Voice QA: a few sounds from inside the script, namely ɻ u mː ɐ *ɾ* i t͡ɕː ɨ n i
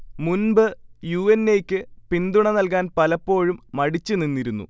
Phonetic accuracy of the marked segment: incorrect: ɽ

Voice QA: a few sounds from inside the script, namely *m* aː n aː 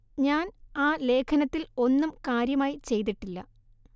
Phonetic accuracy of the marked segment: incorrect: ɲ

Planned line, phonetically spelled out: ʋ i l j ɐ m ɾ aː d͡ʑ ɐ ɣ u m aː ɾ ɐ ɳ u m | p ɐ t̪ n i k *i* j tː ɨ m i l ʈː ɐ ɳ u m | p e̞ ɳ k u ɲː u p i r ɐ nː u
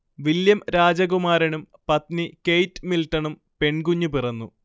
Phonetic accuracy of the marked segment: incorrect: e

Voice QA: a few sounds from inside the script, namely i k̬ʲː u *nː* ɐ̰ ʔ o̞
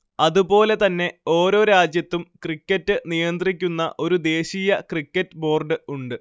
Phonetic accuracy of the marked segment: correct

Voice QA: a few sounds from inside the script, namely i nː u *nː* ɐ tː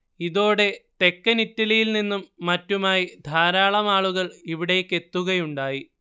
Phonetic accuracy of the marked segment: incorrect: mː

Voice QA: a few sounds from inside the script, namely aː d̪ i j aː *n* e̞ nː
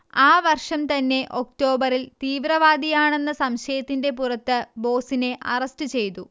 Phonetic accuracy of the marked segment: incorrect: ɳ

